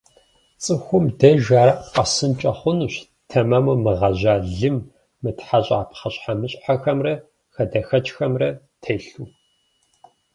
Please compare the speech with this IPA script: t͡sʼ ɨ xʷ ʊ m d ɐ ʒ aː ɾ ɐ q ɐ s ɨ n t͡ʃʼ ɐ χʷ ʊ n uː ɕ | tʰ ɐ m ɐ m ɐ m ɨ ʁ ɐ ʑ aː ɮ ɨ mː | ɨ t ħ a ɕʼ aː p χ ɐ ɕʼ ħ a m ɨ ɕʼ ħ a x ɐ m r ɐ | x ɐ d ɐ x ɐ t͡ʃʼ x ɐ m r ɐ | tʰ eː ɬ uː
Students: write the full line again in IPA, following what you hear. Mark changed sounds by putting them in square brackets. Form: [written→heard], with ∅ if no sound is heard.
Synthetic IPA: t͡sʼ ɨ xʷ ʊ m d ɐ ʒ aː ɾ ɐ q ɐ s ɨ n t͡ʃʼ ɐ χʷ ʊ n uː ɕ | tʰ ɐ m ɐ m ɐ m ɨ ʁ ɐ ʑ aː ɮ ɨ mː | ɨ t ħ a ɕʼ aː p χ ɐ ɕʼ ħ a m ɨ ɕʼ ħ a x ɐ m r ɐ | x ɐ d ɐ x ɐ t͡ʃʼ x ɐ m r ɐ | tʰ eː ɬ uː